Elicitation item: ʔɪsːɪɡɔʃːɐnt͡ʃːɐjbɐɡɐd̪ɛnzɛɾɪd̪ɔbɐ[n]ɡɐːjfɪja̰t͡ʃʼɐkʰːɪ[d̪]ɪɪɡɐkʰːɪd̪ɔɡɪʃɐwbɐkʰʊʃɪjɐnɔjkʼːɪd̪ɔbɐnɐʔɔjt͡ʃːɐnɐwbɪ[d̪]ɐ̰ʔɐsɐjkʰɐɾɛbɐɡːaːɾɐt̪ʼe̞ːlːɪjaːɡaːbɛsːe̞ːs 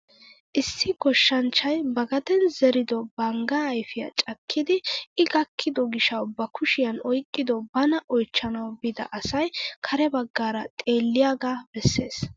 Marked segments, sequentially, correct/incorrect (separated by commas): incorrect, correct, correct